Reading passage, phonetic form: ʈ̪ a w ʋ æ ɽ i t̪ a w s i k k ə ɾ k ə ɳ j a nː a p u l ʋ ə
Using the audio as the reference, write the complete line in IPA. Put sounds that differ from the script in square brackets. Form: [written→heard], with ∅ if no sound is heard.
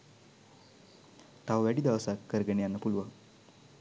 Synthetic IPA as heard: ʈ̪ a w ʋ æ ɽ i [t̪→d̪] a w s [i→a] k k ə ɾ [k→ɡ] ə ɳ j a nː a p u l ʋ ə